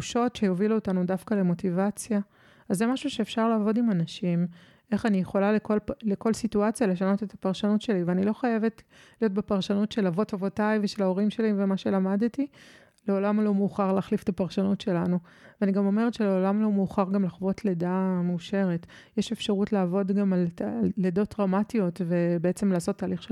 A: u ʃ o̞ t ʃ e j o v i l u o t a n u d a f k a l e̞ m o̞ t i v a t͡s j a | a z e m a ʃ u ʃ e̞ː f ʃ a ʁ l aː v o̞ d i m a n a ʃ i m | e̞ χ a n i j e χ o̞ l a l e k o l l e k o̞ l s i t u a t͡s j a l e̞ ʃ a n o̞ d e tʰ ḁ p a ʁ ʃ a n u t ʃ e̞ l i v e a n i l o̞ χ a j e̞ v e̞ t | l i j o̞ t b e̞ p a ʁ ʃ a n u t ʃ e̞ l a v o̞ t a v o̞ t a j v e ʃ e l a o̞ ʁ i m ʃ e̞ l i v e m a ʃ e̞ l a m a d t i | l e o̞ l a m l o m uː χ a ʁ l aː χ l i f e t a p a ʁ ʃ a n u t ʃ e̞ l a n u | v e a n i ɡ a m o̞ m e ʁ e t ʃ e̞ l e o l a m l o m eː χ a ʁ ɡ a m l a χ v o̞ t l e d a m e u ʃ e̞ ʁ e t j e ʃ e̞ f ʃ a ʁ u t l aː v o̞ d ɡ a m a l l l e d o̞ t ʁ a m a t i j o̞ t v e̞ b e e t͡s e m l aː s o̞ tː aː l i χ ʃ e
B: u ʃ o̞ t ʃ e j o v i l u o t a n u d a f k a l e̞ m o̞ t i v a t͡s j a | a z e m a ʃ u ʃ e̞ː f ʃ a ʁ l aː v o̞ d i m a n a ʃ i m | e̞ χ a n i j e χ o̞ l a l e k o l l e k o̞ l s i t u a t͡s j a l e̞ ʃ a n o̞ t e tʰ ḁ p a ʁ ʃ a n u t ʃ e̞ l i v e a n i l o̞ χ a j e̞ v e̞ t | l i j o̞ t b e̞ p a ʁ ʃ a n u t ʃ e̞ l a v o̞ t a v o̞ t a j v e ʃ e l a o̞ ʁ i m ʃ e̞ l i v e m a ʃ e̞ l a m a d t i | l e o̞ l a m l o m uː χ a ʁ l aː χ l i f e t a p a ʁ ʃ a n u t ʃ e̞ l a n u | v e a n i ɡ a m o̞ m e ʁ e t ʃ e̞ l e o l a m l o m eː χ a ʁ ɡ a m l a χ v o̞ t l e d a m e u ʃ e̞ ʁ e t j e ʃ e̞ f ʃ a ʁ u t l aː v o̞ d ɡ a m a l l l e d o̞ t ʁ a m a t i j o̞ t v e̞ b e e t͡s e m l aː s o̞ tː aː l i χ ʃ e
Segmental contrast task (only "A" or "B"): B